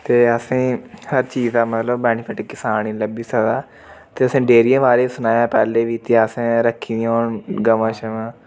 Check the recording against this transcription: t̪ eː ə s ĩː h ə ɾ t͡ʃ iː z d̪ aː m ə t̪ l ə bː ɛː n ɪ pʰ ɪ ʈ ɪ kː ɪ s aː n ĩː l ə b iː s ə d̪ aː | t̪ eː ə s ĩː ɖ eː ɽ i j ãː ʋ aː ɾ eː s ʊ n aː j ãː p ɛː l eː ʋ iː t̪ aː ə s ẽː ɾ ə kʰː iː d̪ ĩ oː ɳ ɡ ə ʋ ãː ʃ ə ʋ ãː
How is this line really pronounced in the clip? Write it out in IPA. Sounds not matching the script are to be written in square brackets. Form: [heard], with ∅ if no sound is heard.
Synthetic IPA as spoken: t̪ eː ə s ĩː h ə ɾ t͡ʃ iː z d̪ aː m ə t̪ l ə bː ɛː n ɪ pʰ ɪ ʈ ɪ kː ɪ s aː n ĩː l ə b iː s ə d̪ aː | t̪ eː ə s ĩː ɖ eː [ɾ] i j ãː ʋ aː ɾ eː s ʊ n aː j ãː p ɛː l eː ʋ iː t̪ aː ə s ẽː ɾ ə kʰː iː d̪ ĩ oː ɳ ɡ ə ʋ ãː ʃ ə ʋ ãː